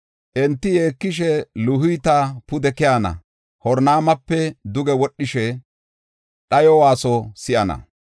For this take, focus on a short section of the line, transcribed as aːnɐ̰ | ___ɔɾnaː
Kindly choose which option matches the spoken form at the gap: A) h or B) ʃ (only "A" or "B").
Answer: A